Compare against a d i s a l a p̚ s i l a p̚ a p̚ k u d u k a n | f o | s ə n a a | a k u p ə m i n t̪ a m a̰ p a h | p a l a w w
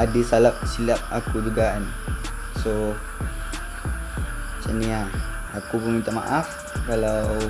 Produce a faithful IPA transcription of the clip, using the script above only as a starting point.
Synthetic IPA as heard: a d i s a l a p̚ s i l a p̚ a k u d͡ʒ u ɡ a n | s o | s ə n i a | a k u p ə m i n t̪ a m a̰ ʔ a f | k a l a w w